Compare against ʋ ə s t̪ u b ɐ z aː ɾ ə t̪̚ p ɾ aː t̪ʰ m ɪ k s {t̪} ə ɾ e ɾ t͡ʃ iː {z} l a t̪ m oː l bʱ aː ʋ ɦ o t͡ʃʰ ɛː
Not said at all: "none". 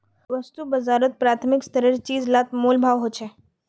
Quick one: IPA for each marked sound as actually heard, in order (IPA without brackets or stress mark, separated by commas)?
t̪, z